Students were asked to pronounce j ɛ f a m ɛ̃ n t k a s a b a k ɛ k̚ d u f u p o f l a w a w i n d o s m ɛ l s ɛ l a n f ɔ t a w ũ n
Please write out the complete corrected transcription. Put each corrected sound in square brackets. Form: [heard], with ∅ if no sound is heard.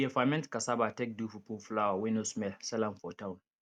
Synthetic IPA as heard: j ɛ f a m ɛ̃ n t k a s a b a [t] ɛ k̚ d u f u p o f l a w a w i n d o s m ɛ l s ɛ l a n f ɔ t a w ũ n